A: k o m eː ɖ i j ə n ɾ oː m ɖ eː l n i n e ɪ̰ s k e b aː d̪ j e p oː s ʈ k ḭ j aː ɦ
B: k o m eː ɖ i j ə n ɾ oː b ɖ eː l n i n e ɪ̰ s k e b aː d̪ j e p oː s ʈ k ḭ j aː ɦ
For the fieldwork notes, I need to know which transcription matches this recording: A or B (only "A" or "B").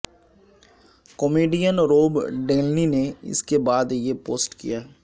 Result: B